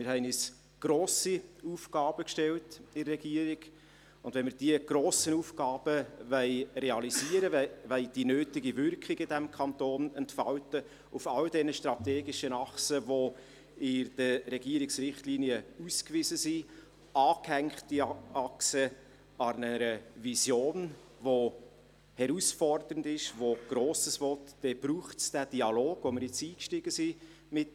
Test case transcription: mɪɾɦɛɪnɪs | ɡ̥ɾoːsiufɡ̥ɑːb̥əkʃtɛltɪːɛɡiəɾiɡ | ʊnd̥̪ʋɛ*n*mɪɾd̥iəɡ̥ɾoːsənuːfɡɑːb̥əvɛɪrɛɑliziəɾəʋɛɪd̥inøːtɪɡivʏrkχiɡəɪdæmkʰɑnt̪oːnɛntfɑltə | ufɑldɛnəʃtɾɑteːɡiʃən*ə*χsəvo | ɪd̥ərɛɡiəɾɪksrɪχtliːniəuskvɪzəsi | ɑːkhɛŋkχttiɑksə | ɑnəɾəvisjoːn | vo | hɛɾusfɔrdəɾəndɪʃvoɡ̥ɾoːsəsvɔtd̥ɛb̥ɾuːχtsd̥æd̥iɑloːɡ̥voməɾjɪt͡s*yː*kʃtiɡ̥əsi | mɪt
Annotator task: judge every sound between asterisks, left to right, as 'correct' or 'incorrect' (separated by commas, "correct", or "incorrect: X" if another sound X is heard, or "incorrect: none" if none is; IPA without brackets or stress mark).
correct, incorrect: ɑ, incorrect: iː